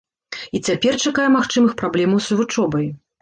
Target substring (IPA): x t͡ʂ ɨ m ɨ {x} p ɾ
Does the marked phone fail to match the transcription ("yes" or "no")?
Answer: no